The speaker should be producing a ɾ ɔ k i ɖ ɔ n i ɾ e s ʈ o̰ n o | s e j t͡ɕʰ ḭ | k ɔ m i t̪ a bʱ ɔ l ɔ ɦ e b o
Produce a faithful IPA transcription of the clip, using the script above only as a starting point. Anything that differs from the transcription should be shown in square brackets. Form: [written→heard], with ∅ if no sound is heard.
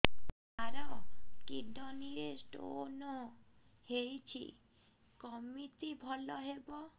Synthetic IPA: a ɾ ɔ k i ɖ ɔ n i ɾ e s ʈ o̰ n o | [s→h] e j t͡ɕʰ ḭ | k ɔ m i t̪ [a→i] bʱ ɔ l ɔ ɦ e b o